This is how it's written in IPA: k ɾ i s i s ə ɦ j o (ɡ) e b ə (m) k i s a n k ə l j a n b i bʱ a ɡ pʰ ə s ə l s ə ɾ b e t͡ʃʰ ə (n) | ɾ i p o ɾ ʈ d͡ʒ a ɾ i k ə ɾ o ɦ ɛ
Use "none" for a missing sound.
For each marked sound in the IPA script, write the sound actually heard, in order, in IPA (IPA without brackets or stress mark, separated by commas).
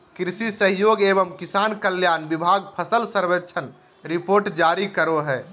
ɡ, m, n